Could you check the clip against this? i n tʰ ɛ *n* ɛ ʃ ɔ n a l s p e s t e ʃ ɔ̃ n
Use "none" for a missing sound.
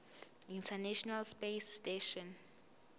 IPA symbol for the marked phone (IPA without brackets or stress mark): n